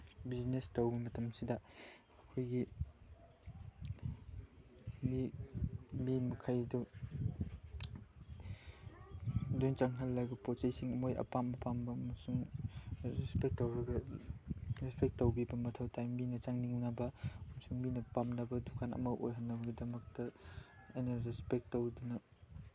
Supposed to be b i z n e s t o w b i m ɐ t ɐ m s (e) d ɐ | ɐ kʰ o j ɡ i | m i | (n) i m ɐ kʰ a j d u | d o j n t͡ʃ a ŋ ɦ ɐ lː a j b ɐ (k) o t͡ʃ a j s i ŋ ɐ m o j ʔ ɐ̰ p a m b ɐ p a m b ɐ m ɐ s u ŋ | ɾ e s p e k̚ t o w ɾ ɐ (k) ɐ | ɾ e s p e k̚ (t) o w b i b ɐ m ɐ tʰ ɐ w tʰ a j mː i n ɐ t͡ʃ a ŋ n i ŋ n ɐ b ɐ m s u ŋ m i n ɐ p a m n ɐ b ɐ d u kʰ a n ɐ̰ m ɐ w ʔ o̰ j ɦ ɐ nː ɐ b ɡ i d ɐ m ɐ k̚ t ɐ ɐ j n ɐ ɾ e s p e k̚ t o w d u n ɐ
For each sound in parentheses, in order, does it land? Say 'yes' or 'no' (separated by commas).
no, no, no, no, yes